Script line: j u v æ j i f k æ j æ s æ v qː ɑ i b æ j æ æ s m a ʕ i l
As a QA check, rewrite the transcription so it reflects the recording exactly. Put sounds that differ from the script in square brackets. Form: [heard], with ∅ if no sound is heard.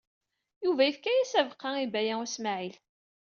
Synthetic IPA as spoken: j u v æ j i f k æ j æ s æ v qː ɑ i b æ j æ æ s m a ʕ i l